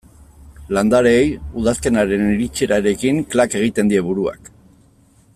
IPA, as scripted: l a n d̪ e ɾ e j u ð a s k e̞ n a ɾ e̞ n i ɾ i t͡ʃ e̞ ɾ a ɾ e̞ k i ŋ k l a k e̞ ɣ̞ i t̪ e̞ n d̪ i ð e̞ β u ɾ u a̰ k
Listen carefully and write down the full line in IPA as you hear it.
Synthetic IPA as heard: l a n d̪ a ɾ e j u ð a s k e̞ n a ɾ e̞ n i ɾ i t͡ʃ e̞ ɾ a ɾ e̞ k i ŋ k l a k e̞ ɣ̞ i t̪ e̞ n d̪ i e̞ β u ɾ u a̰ k

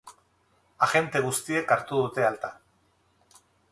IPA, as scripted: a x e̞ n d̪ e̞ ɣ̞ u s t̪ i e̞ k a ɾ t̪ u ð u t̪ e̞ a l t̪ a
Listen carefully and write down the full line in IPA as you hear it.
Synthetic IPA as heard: a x e̞ n t̪ e̞ ɣ̞ u s t̪ i e̞ k a ɾ t̪ u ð u t̪ e̞ a l t̪ a

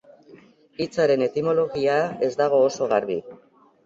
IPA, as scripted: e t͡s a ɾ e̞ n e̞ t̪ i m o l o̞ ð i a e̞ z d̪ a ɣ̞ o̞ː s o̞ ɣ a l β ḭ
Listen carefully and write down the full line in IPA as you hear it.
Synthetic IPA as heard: i t͡s a ɾ e̞ n e̞ t̪ i m o l o̞ ɣ i a e̞ z d̪ a ɣ̞ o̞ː s o̞ ɣ a ɾ β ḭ

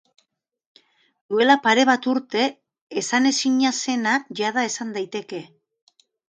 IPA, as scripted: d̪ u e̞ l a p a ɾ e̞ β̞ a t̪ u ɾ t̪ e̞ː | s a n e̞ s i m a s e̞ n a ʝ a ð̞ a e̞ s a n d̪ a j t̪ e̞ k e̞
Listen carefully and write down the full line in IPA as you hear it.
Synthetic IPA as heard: d̪ u e̞ l a p a ɾ e̞ β̞ a t̪ u ɾ t̪ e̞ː | s a n e̞ s i ɲ a s e̞ n a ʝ a ð̞ a e̞ s a n d̪ a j t̪ e̞ k e̞

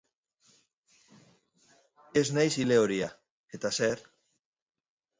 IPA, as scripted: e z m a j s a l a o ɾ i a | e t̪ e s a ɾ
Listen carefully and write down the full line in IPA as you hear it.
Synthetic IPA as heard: e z n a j s i l e o ɾ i a | e t̪ a s e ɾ

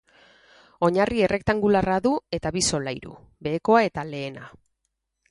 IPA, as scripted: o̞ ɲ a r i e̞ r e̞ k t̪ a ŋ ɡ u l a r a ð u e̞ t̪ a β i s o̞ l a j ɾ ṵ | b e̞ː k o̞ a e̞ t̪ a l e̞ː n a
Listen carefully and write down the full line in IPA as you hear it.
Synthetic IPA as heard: o̞ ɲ a r i e̞ r e̞ k t̪ a ŋ ɡ u l a r a ð u e̞ t̪ a β i s o̞ l a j ɾ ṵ | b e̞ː k o̞ a e̞ t̪ a l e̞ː n a

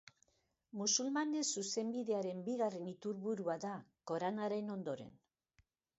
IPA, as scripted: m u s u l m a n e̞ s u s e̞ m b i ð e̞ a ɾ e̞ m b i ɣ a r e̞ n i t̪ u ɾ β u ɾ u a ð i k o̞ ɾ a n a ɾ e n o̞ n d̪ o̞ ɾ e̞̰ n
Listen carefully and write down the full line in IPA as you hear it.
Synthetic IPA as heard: m u s u l m a n e̞ s u s e̞ m b i ð e̞ a ɾ e̞ m b i ɣ a r e̞ n i t̪ u ɾ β u ɾ u a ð a k o̞ ɾ a n a ɾ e n o̞ n d̪ o̞ ɾ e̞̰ n

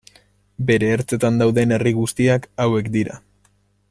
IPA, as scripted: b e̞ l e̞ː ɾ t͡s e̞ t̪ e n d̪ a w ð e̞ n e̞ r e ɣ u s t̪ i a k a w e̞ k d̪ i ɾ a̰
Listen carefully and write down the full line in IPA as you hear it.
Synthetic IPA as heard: b e̞ ɾ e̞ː ɾ t͡s e̞ t̪ a n d̪ a w ð e̞ n e̞ r i ɣ u s t̪ i a k a w e̞ k d̪ i ɾ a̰

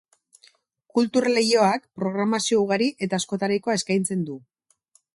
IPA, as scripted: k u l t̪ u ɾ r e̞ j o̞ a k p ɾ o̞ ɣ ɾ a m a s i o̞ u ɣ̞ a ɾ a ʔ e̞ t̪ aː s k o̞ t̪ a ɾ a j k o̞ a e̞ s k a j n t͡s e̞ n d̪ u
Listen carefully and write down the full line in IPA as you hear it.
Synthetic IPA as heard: k u l t̪ u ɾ l e̞ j o̞ a k p ɾ o̞ ɣ ɾ a m a s i o̞ u ɣ̞ a ɾ i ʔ e̞ t̪ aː s k o̞ t̪ a ɾ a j k o̞ a e̞ s k a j n t͡s e̞ n d̪ u

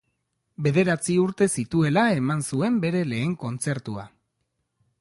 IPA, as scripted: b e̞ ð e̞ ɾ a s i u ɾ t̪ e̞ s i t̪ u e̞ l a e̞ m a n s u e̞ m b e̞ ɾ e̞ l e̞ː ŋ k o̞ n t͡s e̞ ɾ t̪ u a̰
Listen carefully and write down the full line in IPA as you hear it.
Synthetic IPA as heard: b e̞ ð e̞ ɾ a t͡s i u ɾ t̪ e̞ s i t̪ u e̞ l a e̞ m a n s u e̞ m b e̞ ɾ e̞ l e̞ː ŋ k o̞ n t͡s e̞ ɾ t̪ u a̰

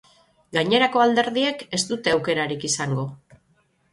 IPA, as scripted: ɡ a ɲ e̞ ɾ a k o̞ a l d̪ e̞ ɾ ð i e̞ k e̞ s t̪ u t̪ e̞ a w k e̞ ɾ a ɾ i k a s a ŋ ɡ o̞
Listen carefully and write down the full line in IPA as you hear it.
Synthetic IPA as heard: ɡ a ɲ e̞ ɾ a k o̞ a l d̪ e̞ ɾ ð i e̞ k e̞ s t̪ u t̪ e̞ a w k e̞ ɾ a ɾ i k i s a ŋ ɡ o̞

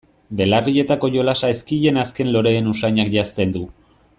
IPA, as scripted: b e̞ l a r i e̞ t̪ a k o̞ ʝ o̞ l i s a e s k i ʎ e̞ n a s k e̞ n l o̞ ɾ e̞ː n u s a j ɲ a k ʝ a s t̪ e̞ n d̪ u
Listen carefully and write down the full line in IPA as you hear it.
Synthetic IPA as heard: b e̞ l a r i e̞ t̪ a k o̞ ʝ o̞ l a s a e s k i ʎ e̞ n a s k e̞ n l o̞ ɾ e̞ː n u s a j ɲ a k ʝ a s t̪ e̞ n d̪ u

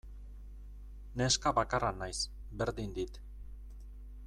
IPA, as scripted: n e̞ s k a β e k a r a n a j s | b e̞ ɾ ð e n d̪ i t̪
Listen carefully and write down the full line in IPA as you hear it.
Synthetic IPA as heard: n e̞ s k a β a k a r a n a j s | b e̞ ɾ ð i n d̪ i t̪

